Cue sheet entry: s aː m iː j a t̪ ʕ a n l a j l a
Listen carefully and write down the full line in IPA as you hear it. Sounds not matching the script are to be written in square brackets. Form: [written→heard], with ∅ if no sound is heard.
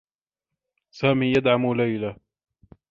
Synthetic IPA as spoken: s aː m iː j a [t̪→d̪] ʕ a [n→m] l a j l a